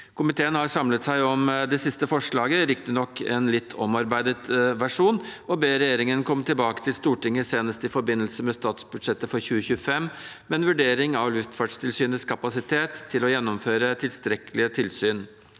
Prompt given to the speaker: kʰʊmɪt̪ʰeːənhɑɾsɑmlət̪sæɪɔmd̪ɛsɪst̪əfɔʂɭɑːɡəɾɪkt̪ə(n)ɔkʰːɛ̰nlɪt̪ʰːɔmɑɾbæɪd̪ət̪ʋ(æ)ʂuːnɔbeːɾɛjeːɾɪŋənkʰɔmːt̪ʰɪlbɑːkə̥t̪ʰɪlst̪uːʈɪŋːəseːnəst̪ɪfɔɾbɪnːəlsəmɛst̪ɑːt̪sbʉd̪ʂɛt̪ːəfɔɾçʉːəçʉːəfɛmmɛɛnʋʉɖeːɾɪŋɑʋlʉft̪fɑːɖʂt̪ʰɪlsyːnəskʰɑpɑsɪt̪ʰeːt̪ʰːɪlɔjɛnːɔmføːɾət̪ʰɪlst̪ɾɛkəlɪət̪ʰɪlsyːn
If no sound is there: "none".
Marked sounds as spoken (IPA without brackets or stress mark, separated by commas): n, æ